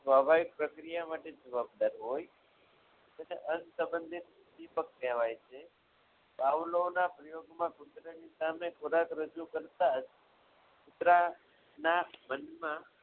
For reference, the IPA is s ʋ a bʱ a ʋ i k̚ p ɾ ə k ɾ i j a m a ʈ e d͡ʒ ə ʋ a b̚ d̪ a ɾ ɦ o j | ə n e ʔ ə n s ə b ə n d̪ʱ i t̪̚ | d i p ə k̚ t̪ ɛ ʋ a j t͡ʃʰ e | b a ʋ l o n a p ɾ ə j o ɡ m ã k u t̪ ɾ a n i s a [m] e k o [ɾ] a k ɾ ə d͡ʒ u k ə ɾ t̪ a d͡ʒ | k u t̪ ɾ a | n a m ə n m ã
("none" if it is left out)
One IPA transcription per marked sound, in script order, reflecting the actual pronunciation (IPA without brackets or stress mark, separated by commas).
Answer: m, ɾ